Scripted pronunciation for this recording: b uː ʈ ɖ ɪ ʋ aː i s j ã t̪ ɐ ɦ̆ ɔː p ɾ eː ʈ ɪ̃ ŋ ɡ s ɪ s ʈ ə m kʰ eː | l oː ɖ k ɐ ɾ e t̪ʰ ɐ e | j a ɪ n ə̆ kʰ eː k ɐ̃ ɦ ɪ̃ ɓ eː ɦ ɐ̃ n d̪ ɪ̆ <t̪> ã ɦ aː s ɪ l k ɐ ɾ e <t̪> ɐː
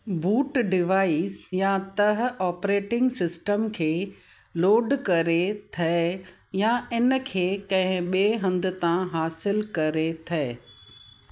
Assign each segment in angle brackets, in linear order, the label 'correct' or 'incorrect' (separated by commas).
correct, incorrect